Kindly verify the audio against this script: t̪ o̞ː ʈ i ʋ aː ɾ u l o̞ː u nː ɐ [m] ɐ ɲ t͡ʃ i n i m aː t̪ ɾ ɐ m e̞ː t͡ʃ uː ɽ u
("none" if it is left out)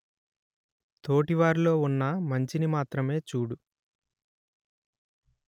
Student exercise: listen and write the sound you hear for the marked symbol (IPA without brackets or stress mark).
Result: m